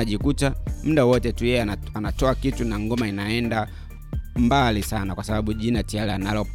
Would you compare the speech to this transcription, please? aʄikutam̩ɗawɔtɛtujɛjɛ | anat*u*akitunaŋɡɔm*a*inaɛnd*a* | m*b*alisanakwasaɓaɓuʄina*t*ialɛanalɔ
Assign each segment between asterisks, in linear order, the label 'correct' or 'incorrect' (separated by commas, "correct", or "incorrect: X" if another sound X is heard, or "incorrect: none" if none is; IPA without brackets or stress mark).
incorrect: ɔ, correct, correct, correct, correct